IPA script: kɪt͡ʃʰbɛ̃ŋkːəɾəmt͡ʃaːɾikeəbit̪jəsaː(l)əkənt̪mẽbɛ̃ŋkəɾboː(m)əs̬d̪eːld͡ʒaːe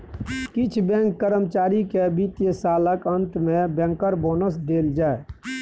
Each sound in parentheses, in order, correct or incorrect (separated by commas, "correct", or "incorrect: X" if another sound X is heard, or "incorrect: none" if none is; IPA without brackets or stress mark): correct, incorrect: n